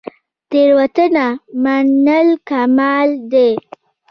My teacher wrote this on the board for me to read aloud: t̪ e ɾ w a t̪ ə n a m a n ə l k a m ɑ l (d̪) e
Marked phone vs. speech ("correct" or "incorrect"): correct